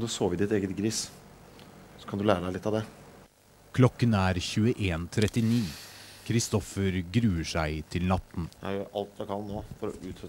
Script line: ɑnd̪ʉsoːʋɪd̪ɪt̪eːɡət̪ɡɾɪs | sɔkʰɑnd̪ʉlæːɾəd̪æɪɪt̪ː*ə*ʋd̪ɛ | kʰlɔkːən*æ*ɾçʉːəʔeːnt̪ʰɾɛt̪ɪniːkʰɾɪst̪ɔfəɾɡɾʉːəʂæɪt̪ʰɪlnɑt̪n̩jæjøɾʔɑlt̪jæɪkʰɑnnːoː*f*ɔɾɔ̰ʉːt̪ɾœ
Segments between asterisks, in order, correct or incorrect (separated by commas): incorrect, incorrect, correct